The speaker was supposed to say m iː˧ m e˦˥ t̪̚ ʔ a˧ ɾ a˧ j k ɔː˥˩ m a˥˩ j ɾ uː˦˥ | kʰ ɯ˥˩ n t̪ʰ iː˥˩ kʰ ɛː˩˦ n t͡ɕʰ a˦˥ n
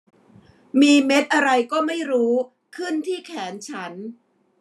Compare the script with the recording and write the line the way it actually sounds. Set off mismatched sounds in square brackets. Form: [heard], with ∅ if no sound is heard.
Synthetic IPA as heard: m iː˧ m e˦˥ t̪̚ ʔ a˧ ɾ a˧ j k ɔː˥˩ m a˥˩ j ɾ uː˦˥ | kʰ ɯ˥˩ n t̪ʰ iː˥˩ kʰ ɛː˩˦ n t͡ɕʰ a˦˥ n